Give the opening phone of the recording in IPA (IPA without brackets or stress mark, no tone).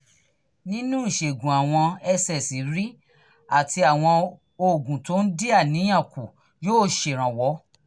n